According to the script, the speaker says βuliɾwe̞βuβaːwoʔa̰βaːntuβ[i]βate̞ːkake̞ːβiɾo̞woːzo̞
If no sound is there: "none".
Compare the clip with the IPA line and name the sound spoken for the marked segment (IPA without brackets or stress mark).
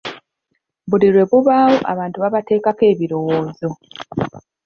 a